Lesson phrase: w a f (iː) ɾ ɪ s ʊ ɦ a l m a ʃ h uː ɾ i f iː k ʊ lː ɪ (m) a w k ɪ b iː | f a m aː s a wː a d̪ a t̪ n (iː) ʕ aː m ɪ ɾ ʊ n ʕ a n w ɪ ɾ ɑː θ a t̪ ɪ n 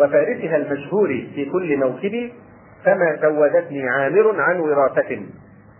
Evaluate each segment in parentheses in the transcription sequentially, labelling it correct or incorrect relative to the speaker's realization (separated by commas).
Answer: incorrect, correct, correct